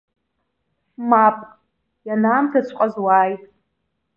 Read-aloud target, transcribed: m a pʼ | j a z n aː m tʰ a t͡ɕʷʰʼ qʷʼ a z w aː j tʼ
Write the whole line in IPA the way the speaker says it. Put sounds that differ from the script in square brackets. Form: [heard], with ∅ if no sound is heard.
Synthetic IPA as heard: m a pʼ | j a [∅] n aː m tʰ a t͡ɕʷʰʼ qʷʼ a z w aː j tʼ